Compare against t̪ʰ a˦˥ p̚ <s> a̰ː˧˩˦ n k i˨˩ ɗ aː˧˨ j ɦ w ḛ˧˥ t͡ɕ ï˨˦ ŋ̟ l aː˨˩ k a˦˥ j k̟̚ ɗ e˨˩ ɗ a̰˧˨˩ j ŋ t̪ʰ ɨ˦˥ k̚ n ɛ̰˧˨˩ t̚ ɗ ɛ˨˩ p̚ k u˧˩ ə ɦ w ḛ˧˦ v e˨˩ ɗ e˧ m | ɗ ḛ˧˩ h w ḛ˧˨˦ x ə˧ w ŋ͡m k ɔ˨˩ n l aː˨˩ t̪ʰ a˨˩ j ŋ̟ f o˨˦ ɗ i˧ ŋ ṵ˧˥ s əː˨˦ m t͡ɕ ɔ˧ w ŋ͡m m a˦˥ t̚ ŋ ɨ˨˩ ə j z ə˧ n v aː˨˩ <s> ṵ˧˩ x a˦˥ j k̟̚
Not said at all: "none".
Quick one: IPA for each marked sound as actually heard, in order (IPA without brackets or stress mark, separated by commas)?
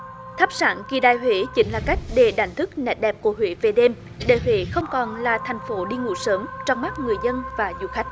s, z